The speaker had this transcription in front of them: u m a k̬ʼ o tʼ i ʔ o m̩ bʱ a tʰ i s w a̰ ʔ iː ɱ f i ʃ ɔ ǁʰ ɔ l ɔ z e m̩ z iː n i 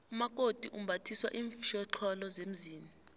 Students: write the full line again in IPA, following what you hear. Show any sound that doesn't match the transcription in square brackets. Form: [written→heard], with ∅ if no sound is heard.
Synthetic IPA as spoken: u m a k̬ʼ o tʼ i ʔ [o→u] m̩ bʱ a tʰ i s w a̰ ʔ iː ɱ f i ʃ ɔ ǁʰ ɔ l ɔ z e m̩ z iː n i